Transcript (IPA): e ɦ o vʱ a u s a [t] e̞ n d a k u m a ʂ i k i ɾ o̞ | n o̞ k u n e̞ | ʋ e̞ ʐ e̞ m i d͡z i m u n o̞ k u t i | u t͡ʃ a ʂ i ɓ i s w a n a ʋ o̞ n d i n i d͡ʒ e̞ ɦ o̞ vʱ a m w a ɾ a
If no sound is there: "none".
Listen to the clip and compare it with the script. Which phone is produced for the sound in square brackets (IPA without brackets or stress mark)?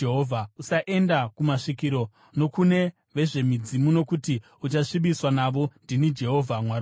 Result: ʔ